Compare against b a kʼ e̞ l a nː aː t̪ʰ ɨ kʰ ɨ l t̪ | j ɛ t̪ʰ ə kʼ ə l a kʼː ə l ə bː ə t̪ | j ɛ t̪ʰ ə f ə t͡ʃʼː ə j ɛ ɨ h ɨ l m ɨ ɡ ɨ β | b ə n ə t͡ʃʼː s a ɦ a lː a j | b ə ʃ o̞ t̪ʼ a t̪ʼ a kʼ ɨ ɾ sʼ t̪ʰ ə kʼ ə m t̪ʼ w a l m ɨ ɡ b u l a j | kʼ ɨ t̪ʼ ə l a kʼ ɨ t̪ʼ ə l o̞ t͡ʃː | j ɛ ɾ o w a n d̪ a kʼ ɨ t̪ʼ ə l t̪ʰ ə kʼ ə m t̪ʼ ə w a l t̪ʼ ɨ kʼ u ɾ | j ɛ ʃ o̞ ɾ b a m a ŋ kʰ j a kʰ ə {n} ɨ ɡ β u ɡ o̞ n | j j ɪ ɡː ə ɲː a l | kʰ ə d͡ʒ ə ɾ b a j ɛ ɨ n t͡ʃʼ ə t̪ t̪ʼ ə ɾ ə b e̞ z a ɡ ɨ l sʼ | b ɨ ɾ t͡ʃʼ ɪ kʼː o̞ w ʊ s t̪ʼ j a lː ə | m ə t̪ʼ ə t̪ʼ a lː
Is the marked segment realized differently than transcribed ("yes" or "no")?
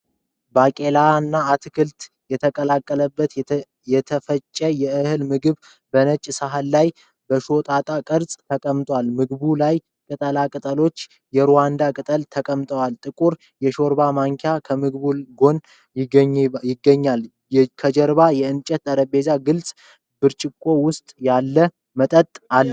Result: yes